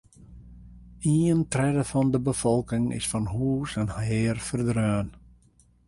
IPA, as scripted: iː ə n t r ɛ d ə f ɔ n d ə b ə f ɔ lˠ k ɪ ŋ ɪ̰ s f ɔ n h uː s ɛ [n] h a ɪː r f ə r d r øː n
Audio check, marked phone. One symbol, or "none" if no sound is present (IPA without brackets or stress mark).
n